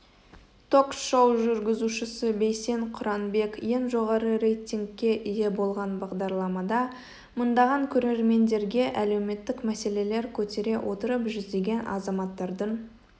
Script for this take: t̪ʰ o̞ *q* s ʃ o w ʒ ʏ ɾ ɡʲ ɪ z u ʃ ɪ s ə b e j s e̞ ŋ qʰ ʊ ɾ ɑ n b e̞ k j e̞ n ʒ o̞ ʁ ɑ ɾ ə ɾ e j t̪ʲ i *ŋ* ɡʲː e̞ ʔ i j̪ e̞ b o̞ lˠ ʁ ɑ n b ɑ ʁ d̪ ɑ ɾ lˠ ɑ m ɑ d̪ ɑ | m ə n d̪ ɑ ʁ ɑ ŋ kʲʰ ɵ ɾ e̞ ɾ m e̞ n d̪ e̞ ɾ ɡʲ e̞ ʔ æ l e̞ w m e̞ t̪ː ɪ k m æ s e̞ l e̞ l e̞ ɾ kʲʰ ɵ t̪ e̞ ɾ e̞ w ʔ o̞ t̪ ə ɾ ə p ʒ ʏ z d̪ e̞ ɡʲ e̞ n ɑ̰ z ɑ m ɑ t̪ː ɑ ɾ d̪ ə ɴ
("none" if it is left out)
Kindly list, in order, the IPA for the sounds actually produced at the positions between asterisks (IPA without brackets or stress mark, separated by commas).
k, ŋ